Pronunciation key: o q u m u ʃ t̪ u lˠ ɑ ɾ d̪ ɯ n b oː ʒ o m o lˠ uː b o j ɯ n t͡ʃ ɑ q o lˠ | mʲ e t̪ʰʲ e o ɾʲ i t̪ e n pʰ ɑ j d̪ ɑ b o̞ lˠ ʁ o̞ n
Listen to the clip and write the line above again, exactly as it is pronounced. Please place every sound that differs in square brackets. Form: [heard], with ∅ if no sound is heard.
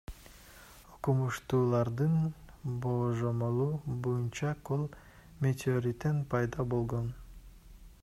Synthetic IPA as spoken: o q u m u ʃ t̪ [uː] lˠ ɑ ɾ d̪ ɯ n b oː ʒ o m o lˠ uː b o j [u] n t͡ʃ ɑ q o lˠ | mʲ e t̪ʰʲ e o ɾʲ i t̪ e n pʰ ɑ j d̪ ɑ b o̞ lˠ ʁ o̞ n